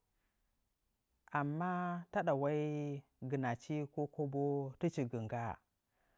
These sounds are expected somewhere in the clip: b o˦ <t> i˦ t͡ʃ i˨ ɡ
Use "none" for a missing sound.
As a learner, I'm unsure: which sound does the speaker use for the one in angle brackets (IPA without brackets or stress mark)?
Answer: t